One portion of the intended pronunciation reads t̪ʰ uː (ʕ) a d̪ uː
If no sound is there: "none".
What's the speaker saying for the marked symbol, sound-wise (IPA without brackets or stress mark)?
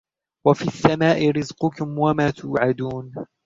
ʕ